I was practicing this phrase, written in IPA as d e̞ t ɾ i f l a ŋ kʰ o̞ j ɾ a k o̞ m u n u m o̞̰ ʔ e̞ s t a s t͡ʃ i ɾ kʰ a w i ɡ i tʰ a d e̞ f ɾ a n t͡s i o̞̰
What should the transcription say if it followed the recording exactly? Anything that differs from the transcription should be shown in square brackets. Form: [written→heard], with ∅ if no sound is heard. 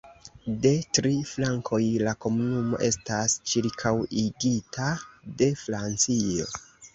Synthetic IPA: d e̞ t ɾ i f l a ŋ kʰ o̞ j [ɾ→l] a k o̞ m u n u m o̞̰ ʔ e̞ s t a s t͡ʃ i ɾ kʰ a w i ɡ i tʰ a d e̞ f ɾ a n t͡s i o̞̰